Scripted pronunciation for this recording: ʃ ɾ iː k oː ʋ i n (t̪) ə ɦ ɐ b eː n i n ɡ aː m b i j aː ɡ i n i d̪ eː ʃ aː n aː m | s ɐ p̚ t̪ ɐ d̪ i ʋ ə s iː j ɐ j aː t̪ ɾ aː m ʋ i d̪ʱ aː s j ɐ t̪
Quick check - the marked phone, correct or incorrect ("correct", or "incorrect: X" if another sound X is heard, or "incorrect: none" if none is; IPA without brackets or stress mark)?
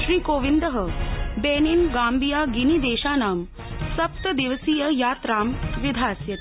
incorrect: d̪